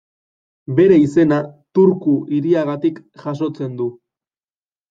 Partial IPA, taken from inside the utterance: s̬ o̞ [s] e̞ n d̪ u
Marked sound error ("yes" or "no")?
yes